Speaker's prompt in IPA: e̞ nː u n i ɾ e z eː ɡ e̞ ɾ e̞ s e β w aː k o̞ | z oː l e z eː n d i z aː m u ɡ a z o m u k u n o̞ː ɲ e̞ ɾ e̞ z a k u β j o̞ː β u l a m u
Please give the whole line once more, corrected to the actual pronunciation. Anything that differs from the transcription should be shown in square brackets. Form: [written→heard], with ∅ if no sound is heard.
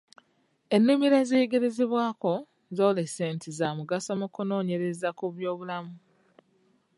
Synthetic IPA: e̞ nː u [n→m] i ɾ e z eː ɡ e̞ ɾ e̞ [s→z] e β w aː k o̞ | z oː l e [z→s] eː n [d→t] i z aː m u ɡ a [z→s] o m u k u n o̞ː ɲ e̞ ɾ e̞ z a k u β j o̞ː β u l a m u